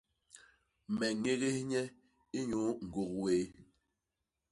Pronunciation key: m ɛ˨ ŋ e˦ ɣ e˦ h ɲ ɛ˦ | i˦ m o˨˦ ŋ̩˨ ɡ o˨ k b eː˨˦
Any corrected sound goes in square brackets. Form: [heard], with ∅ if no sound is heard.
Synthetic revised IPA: m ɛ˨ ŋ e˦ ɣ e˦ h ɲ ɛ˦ | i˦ [ɲ] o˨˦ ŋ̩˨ ɡ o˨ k [w] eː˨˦